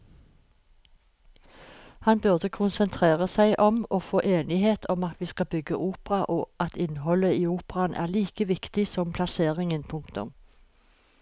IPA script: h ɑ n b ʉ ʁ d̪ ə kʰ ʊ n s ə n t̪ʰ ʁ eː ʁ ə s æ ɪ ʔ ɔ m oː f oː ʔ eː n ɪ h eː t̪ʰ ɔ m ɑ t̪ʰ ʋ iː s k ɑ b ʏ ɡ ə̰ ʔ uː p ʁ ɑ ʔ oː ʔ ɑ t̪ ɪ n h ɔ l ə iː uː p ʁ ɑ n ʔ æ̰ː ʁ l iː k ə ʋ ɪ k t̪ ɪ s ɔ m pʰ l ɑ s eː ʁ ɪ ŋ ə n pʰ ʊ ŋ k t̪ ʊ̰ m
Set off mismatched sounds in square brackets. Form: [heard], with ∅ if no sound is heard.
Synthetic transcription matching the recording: h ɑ n b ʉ ʁ d̪ ə kʰ ʊ n s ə n t̪ʰ ʁ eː ʁ ə s æ ɪ ʔ ɔ m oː f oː ʔ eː n ɪ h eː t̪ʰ ɔ m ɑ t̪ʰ ʋ iː s k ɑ b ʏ ɡ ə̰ ʔ uː p ʁ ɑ ʔ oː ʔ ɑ t̪ ɪ n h ɔ l ə iː uː p ʁ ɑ n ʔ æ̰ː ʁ l iː k ə ʋ ɪ k t̪ ɪ s ɔ m pʰ l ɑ s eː ʁ ɪ ŋ ə n pʰ ʊ ŋ k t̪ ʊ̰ m